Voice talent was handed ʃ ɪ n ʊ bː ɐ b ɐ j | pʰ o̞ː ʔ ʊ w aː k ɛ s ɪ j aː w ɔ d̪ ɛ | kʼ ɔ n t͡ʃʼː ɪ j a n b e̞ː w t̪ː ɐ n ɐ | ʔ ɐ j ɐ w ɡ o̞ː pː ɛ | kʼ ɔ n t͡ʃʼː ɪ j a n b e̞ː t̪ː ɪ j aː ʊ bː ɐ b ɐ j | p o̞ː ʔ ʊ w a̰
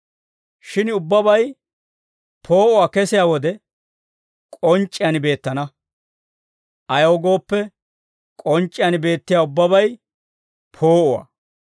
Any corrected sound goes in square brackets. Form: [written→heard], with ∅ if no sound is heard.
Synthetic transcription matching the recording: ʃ ɪ n ʊ bː ɐ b ɐ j | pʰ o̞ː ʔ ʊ w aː k ɛ s ɪ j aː w ɔ d̪ ɛ | kʼ ɔ n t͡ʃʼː ɪ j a n b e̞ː [w→∅] t̪ː ɐ n ɐ | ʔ ɐ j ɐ w ɡ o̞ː pː ɛ | kʼ ɔ n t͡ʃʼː ɪ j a n b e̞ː t̪ː ɪ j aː ʊ bː ɐ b ɐ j | [p→pʰ] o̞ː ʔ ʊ w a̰

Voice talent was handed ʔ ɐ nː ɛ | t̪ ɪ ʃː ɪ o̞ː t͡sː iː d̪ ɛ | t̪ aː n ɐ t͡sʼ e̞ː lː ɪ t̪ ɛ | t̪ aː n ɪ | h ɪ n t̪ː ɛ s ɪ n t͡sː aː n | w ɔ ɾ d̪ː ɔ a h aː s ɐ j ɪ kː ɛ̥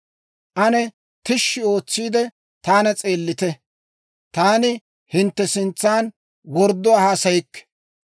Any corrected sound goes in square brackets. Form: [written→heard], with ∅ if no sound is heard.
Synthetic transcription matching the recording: ʔ ɐ [nː→n] ɛ | t̪ ɪ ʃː ɪ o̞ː t͡sː iː d̪ ɛ | t̪ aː n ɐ t͡sʼ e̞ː lː ɪ t̪ ɛ | t̪ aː n ɪ | h ɪ n t̪ː ɛ s ɪ n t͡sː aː n | w ɔ ɾ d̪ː ɔ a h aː s ɐ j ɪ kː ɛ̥

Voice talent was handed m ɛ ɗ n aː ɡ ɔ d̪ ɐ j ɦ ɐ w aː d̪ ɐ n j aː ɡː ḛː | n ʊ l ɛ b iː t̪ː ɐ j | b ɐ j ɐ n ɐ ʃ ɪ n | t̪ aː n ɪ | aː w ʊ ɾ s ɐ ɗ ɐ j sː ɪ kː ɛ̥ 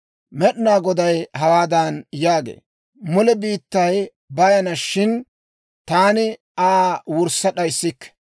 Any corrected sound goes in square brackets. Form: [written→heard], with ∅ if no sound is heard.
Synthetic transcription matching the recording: m ɛ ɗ n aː ɡ ɔ d̪ ɐ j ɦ ɐ w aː d̪ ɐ n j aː [ɡː→ɡ] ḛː | [n→m] ʊ l ɛ b iː t̪ː ɐ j | b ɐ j ɐ n ɐ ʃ ɪ n | t̪ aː n ɪ | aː w ʊ ɾ s ɐ ɗ ɐ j sː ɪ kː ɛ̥

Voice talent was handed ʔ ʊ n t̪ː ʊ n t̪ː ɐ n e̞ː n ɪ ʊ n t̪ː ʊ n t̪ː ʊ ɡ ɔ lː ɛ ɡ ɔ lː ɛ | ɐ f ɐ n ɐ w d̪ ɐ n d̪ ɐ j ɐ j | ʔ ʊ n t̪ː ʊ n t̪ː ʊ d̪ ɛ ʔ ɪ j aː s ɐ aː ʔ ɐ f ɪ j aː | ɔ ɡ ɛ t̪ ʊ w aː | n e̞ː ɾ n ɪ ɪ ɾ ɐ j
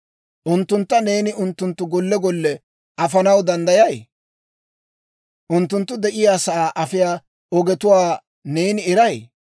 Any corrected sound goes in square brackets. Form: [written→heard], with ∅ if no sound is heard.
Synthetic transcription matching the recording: ʔ ʊ n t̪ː ʊ n t̪ː ɐ n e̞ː n ɪ ʊ n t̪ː ʊ n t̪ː ʊ ɡ ɔ lː ɛ ɡ ɔ lː ɛ | ɐ f ɐ n ɐ w d̪ ɐ n d̪ ɐ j ɐ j | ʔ ʊ n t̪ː ʊ n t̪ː ʊ d̪ ɛ ʔ ɪ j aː s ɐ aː ʔ ɐ f ɪ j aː | ɔ ɡ ɛ t̪ ʊ w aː | n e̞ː [ɾ→∅] n ɪ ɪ ɾ ɐ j

